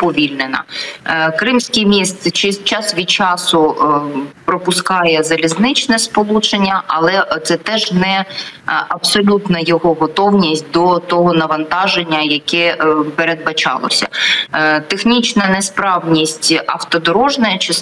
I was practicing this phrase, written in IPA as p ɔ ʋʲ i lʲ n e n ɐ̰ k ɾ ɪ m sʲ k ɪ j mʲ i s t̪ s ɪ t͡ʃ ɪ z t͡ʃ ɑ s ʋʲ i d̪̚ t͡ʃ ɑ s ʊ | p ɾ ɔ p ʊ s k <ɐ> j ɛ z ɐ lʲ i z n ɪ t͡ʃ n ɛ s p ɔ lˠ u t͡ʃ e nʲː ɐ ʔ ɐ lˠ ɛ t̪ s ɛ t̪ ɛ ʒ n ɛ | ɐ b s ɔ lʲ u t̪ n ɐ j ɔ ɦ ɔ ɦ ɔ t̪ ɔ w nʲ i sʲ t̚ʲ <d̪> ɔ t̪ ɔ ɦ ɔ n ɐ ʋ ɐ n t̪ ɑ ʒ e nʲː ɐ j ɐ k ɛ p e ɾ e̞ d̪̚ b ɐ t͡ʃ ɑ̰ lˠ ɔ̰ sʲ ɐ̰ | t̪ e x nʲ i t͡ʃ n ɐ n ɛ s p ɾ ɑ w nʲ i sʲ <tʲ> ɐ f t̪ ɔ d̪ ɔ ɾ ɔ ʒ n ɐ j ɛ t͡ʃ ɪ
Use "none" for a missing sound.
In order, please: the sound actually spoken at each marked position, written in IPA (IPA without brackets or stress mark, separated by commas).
ɑ, d̪, tʲ